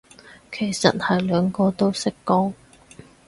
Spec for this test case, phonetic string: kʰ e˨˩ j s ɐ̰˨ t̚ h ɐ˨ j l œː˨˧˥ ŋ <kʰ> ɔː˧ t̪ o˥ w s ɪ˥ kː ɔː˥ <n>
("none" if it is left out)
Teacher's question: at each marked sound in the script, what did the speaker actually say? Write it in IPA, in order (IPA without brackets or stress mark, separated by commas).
k, ŋ